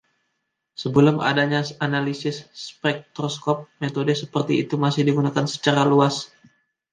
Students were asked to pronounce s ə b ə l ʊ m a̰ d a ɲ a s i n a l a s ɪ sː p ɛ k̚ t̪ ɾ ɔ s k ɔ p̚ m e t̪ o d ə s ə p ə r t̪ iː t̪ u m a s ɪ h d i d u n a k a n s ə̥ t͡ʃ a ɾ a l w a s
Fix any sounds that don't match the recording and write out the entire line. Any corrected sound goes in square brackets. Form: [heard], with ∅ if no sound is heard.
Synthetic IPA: s ə b ə l ʊ m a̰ d a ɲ a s [a] n a l [i] s ɪ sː p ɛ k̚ t̪ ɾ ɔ s k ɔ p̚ m e t̪ o d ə s ə p ə r t̪ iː t̪ u m a s ɪ h d i [ɡ] u n a k a n s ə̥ t͡ʃ a ɾ a l [u] a s